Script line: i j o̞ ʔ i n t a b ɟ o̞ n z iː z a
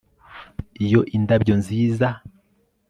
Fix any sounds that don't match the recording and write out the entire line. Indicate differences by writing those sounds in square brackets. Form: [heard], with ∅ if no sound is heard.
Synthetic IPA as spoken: i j o̞ ʔ i n [d] a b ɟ o̞ n z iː z a